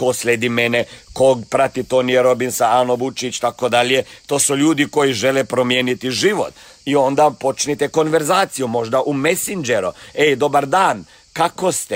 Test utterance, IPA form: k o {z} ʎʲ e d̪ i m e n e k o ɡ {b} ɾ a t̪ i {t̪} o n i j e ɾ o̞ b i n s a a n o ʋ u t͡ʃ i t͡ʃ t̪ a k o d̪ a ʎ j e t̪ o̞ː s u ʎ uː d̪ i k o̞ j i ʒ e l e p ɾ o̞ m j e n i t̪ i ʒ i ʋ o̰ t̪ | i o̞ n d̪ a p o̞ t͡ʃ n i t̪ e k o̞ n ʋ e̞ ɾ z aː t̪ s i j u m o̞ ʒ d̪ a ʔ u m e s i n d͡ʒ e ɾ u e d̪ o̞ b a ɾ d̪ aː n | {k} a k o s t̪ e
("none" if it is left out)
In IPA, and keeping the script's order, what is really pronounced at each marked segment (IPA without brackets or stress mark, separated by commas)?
s, p, t̪, k